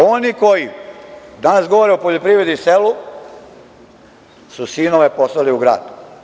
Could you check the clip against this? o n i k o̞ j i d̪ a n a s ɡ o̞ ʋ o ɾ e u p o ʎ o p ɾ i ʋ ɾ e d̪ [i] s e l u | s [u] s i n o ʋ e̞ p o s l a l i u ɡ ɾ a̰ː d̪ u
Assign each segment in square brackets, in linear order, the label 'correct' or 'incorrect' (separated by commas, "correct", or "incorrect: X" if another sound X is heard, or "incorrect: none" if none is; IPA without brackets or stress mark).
correct, correct